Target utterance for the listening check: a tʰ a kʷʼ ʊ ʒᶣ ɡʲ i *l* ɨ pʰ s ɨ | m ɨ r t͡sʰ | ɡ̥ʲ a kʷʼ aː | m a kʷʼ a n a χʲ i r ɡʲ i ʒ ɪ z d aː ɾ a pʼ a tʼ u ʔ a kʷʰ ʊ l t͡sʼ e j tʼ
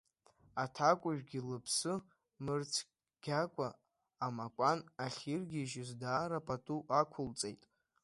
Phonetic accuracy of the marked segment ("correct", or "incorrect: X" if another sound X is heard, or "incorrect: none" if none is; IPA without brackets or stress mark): correct